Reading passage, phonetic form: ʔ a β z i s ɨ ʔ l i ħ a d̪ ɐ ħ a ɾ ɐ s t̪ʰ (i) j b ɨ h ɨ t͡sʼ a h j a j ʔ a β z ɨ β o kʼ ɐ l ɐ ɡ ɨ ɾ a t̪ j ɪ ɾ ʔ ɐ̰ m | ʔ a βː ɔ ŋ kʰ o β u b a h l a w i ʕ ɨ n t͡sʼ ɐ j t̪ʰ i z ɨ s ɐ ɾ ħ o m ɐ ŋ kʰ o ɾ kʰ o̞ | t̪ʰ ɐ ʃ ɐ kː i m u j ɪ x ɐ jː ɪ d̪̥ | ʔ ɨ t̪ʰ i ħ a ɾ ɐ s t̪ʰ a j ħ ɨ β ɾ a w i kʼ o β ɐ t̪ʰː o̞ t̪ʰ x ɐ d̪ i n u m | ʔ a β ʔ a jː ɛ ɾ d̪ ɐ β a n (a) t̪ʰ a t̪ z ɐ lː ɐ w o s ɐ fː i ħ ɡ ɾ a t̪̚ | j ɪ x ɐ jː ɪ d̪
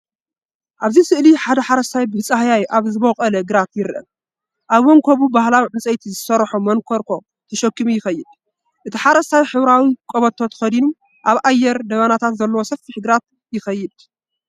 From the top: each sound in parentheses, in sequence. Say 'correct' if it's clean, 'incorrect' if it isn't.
incorrect, correct

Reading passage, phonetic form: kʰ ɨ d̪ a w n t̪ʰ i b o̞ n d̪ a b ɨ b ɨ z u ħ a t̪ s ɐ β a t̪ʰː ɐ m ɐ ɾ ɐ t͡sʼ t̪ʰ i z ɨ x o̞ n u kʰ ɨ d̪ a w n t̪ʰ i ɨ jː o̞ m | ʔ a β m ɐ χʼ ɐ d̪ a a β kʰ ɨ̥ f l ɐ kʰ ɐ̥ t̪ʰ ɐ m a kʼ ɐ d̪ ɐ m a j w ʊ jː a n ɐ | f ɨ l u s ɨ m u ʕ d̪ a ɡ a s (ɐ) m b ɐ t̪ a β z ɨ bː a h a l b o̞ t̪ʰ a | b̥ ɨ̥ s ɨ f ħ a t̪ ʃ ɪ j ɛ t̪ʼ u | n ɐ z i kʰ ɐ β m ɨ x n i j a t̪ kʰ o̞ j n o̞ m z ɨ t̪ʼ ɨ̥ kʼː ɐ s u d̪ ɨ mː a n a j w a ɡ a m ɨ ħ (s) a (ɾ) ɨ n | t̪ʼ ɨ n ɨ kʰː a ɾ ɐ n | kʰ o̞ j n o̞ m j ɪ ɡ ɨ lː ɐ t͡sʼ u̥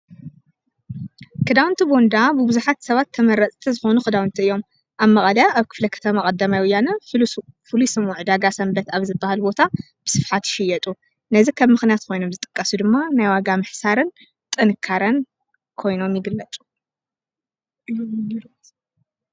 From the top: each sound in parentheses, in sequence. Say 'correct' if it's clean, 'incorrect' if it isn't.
correct, correct, correct

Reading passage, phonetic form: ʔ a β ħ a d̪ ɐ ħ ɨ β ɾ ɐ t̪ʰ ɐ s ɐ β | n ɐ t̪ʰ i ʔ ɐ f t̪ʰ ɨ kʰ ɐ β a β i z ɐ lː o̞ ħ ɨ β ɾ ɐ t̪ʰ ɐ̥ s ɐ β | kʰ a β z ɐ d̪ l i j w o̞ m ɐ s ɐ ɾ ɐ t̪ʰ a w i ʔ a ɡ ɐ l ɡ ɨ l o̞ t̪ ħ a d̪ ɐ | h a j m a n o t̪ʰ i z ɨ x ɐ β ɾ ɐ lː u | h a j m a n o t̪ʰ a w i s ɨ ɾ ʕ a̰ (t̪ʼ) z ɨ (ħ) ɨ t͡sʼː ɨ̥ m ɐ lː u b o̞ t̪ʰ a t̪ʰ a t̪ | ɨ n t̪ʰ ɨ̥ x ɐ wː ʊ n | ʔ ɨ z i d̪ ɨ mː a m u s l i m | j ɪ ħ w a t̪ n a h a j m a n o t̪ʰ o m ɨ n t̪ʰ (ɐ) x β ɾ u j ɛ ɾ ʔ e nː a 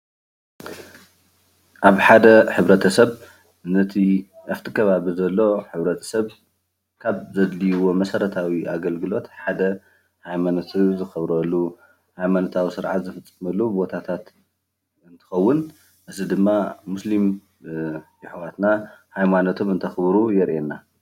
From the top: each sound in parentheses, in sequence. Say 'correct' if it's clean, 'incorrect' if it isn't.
incorrect, incorrect, correct

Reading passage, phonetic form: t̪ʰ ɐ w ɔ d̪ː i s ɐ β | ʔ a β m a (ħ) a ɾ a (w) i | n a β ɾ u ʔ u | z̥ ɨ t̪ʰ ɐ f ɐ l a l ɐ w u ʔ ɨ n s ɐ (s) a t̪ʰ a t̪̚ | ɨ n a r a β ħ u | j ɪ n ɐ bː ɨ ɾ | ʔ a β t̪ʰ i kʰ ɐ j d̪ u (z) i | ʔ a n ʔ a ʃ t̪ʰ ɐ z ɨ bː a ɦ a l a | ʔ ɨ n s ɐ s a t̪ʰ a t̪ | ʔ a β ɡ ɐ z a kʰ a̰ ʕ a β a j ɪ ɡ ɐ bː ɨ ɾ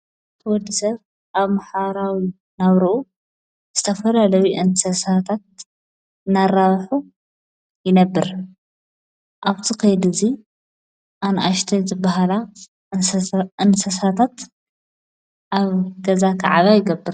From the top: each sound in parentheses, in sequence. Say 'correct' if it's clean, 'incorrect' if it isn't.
correct, correct, correct, correct

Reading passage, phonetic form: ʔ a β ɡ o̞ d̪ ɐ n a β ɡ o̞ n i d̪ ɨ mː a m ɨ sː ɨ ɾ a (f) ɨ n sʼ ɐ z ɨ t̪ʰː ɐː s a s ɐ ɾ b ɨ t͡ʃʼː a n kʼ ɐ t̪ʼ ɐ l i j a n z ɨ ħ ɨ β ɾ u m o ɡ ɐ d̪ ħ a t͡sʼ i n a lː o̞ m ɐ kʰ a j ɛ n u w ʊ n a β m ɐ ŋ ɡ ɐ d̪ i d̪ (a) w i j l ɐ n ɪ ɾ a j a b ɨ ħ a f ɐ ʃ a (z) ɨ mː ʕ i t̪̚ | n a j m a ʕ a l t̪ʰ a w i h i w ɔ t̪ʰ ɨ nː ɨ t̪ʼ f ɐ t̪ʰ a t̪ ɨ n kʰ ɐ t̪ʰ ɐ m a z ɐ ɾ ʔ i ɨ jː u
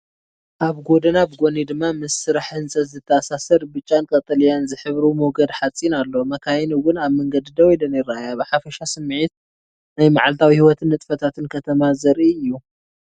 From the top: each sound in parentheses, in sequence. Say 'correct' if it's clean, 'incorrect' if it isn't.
incorrect, incorrect, incorrect

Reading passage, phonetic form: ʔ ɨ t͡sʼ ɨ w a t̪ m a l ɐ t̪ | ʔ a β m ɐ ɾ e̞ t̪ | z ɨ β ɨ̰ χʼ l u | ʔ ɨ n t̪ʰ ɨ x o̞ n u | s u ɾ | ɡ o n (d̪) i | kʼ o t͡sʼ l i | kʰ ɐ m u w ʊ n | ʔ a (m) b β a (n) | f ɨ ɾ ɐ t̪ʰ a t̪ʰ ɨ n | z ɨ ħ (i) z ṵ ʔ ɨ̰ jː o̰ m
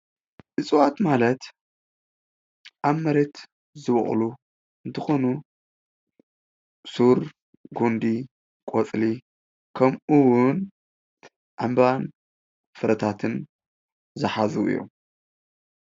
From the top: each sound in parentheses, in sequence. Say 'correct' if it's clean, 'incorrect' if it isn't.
correct, correct, correct, incorrect

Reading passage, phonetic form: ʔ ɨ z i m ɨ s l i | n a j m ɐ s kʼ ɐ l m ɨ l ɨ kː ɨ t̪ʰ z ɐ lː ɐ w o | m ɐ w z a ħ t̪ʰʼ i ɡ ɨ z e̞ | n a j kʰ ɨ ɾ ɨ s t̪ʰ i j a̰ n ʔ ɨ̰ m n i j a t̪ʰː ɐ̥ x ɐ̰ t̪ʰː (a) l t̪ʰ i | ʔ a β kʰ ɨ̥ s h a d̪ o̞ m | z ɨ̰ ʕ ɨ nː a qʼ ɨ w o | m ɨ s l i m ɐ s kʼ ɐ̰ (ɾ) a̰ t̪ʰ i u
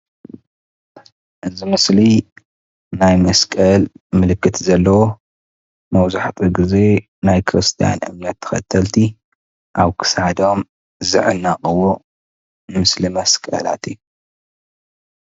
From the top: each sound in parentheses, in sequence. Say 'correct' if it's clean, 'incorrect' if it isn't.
incorrect, incorrect

